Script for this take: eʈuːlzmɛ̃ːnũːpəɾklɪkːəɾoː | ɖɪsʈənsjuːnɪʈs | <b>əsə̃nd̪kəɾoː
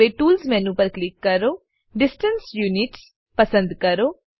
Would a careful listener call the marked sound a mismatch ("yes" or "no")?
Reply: yes